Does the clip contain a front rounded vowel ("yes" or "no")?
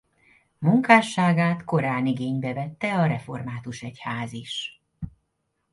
no